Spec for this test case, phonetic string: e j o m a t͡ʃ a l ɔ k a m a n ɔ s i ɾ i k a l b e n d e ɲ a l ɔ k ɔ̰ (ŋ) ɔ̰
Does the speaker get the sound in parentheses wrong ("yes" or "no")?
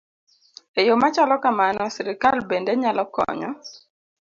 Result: yes